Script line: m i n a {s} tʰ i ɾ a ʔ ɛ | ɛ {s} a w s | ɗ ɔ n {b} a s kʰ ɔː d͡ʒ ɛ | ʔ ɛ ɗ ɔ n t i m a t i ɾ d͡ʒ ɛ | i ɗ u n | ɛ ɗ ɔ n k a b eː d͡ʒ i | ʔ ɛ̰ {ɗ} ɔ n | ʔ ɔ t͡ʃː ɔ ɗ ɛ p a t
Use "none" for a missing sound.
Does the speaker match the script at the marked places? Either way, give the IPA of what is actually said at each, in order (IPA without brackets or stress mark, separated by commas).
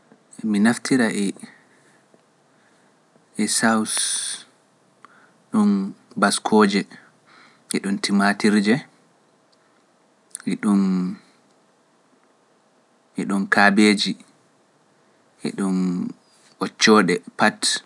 f, s, b, ɗ